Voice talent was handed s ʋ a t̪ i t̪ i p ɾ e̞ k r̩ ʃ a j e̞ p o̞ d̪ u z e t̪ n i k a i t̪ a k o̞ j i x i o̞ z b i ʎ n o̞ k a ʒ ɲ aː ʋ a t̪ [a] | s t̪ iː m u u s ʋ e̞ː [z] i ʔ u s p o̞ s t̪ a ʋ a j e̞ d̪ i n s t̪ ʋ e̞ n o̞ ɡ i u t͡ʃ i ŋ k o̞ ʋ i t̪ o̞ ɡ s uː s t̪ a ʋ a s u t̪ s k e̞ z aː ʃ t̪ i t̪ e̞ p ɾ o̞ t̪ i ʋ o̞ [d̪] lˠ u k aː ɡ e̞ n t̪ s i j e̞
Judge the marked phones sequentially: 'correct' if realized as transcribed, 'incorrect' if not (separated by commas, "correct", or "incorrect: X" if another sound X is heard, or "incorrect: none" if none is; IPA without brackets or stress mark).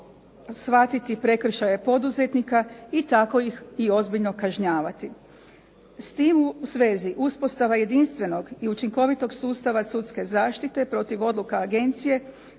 incorrect: i, correct, correct